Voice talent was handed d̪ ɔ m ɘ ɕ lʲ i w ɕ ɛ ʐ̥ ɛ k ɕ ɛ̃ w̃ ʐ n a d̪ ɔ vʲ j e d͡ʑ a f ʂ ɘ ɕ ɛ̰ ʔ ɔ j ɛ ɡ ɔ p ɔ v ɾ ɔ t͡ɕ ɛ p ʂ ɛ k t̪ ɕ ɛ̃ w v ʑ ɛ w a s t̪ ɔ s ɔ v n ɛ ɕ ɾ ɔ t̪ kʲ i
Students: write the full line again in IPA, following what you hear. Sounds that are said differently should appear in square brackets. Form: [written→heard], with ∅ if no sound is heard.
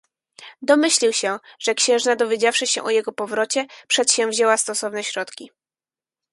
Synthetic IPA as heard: d̪ ɔ m ɘ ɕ lʲ i w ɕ ɛ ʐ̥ ɛ k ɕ ɛ̃ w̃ ʐ n a d̪ ɔ vʲ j e d͡ʑ a f ʂ ɘ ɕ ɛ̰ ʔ ɔ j ɛ ɡ ɔ p ɔ v ɾ ɔ t͡ɕ ɛ p ʂ ɛ [k→∅] t̪ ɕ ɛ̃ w v ʑ ɛ w a s t̪ ɔ s ɔ v n ɛ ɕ ɾ ɔ t̪ kʲ i